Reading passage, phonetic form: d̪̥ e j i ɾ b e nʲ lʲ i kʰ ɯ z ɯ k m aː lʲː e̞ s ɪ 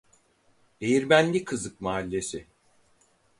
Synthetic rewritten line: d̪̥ e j i ɾ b æ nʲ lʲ i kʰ ɯ z ɯ k m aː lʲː e̞ s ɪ